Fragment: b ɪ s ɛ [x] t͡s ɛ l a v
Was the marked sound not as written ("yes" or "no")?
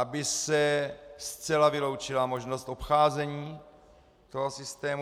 yes